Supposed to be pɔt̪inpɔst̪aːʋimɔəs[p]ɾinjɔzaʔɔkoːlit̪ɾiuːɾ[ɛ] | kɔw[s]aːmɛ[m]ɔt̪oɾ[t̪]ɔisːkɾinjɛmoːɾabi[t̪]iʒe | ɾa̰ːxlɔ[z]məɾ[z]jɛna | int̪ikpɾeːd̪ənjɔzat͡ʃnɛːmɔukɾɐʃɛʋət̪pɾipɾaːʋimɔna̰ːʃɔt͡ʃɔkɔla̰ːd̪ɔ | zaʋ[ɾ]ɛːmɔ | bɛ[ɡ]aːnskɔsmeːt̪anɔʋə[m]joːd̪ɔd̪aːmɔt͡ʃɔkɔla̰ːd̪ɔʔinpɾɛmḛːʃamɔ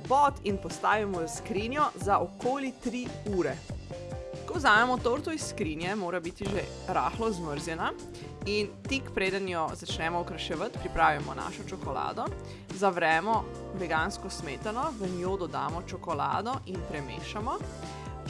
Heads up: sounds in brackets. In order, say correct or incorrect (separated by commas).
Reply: incorrect, correct, incorrect, correct, correct, correct, correct, correct, correct, correct, incorrect